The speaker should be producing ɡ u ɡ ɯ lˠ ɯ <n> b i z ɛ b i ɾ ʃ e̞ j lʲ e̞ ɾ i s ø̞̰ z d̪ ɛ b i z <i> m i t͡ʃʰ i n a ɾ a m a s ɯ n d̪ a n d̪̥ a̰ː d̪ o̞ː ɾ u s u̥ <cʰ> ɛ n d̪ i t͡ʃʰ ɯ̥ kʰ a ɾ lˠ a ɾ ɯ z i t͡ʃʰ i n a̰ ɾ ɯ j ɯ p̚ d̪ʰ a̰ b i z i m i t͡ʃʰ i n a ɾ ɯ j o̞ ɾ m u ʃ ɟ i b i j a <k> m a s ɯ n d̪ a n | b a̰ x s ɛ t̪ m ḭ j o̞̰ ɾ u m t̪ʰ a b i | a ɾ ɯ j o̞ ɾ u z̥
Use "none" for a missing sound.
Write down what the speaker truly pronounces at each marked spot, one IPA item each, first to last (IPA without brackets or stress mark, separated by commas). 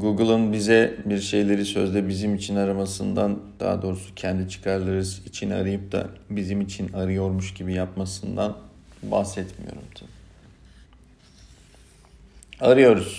n, i, cʰ, p